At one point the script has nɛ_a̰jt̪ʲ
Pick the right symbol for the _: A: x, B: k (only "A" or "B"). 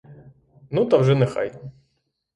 A